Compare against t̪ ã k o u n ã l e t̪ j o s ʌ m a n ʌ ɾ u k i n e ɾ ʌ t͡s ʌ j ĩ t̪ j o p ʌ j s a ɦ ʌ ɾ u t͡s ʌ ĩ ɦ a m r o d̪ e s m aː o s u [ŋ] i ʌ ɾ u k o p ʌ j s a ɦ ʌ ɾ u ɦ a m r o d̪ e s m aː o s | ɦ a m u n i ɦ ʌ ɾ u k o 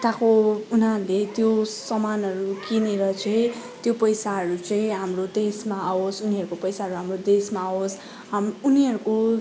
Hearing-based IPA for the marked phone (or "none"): n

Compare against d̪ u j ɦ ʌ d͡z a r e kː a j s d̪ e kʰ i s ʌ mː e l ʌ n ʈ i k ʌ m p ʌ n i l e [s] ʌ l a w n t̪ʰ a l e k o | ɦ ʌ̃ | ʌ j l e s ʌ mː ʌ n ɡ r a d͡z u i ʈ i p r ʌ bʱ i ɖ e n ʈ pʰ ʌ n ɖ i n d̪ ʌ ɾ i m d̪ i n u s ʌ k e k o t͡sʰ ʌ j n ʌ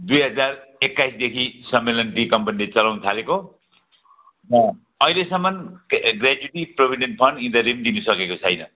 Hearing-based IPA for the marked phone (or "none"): t͡s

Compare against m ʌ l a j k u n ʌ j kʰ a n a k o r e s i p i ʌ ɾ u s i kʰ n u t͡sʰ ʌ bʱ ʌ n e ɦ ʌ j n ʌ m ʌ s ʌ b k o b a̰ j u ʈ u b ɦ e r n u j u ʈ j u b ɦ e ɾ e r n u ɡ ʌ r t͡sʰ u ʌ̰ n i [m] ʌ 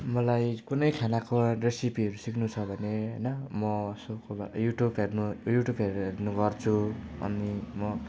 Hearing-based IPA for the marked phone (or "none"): m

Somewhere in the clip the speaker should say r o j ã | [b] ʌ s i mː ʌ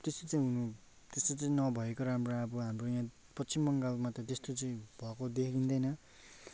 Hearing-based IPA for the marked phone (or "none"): p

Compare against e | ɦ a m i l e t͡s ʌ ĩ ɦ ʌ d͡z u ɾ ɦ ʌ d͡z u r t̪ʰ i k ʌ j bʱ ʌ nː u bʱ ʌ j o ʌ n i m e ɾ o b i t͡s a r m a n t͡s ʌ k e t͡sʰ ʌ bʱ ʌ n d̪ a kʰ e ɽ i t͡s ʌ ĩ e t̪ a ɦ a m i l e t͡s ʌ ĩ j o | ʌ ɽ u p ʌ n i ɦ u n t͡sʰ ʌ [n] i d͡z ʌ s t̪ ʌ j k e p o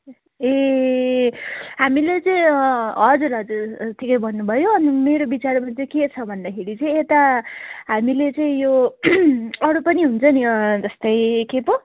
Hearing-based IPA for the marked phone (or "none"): n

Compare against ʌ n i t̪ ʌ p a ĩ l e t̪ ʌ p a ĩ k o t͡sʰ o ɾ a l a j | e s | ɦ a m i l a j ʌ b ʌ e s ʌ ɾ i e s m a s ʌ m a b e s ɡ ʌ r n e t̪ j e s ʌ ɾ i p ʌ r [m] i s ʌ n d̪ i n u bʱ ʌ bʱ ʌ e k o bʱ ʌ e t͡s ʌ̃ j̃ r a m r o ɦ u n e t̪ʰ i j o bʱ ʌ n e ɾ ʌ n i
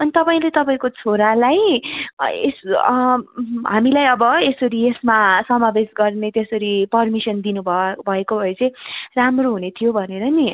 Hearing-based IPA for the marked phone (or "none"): m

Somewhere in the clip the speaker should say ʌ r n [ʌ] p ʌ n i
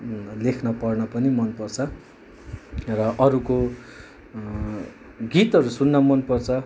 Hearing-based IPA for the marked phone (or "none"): ʌ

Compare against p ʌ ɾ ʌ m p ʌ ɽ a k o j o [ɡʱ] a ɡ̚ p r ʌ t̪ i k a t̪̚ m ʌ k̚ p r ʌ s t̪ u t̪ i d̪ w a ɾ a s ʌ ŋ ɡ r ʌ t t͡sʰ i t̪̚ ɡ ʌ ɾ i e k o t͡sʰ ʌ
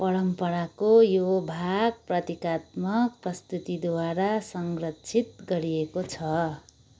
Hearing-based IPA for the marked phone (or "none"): bʱ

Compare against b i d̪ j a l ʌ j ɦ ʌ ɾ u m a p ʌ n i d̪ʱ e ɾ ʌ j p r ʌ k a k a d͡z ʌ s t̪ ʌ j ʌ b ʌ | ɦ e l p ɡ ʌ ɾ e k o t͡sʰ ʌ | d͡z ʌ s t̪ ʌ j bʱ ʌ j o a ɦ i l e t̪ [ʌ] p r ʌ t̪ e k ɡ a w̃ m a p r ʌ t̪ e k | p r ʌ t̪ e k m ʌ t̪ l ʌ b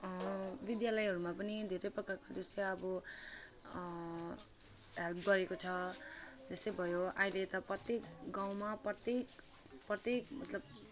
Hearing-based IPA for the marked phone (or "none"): ʌ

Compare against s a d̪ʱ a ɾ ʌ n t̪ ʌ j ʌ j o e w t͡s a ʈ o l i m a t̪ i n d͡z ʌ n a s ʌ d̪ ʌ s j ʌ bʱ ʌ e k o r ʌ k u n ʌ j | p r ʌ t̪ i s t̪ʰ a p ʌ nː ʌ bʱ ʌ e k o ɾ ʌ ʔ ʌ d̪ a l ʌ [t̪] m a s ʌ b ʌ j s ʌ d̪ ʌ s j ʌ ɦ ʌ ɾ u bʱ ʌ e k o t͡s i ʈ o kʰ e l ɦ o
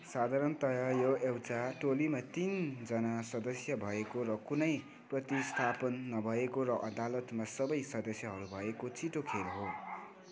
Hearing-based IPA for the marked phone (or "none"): t̪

